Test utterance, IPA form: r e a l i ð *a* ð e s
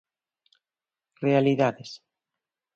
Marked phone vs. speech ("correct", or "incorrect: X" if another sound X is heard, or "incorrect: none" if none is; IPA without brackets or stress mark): correct